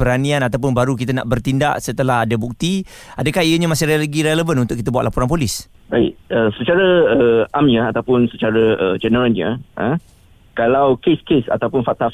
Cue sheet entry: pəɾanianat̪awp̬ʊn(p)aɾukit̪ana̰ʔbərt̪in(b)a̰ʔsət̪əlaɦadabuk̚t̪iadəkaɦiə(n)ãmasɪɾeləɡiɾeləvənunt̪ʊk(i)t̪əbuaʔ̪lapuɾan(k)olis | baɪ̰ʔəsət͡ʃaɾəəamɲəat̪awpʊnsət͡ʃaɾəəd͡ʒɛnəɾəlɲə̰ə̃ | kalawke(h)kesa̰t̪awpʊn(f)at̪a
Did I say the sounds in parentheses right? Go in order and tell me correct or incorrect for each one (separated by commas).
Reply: incorrect, incorrect, incorrect, correct, incorrect, incorrect, correct